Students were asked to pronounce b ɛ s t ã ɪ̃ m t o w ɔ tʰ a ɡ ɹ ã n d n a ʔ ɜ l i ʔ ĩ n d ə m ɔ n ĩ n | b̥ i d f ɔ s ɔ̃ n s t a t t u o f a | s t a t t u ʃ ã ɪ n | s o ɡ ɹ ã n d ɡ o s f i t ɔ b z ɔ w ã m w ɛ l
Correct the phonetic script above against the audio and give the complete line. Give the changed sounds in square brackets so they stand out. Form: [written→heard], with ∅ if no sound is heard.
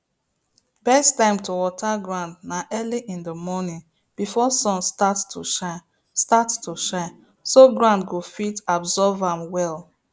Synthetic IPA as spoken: b ɛ s t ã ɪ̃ m t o w ɔ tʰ a ɡ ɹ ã n d n a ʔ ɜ l i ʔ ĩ n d ə m ɔ n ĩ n | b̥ i [d→∅] f ɔ s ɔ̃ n s t a t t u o [f→ʃ] a | s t a t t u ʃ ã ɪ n | s o ɡ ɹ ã n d ɡ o [s→∅] f i t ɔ b z ɔ [w→v] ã m w ɛ l